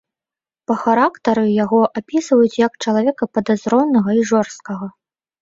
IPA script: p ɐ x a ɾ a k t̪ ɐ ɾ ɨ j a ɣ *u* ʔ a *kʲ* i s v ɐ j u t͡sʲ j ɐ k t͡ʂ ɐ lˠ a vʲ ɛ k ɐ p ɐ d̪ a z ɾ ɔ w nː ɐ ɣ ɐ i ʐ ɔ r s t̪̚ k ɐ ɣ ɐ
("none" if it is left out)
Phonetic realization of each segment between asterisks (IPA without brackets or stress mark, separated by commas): ɔ, pʲ